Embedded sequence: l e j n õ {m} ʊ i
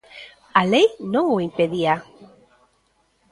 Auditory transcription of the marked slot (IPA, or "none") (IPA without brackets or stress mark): ŋ